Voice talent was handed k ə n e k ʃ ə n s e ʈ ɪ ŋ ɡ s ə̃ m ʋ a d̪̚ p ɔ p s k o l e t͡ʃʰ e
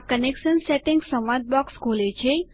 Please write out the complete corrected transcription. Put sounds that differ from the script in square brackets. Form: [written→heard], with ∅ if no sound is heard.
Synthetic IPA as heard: k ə n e k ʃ ə n s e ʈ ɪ ŋ ɡ s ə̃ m ʋ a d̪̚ [p→b] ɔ [p→k] s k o l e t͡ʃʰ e